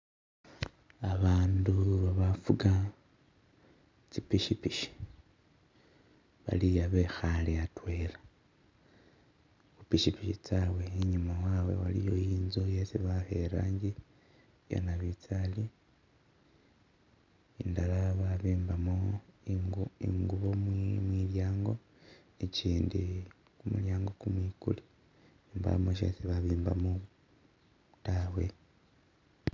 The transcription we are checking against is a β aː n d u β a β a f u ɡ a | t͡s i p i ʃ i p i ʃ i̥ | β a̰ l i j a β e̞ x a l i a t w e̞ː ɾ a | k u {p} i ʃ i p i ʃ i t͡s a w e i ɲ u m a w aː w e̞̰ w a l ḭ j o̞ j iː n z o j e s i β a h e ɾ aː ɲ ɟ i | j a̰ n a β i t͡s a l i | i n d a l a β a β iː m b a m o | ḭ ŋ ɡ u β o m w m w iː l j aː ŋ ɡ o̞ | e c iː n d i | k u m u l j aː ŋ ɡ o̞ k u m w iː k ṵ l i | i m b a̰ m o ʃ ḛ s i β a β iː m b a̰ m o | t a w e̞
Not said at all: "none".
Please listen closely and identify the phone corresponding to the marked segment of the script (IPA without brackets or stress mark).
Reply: p